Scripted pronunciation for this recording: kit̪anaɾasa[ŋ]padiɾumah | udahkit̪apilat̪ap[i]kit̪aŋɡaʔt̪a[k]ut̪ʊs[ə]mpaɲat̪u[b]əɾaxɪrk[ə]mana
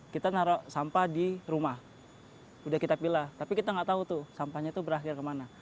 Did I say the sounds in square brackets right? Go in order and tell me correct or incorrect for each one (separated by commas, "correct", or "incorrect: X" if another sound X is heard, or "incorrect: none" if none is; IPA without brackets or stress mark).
incorrect: m, correct, incorrect: none, incorrect: a, correct, correct